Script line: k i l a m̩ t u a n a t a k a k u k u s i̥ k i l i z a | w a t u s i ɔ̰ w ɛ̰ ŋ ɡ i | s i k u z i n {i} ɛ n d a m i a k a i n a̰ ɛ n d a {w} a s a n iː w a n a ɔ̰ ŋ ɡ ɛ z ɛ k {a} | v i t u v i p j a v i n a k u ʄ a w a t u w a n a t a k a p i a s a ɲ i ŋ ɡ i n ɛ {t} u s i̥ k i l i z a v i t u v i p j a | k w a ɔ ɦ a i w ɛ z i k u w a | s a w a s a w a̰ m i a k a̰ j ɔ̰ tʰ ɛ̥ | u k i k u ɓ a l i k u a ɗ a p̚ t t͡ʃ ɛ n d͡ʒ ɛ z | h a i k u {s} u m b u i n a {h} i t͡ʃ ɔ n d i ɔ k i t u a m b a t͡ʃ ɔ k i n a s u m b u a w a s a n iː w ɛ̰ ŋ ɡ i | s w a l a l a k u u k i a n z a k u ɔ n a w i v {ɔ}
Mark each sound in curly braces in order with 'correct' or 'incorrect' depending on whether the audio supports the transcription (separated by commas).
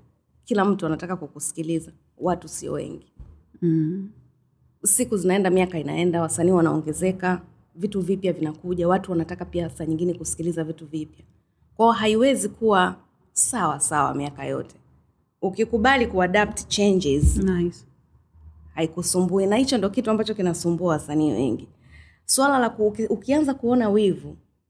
incorrect, correct, correct, incorrect, correct, correct, incorrect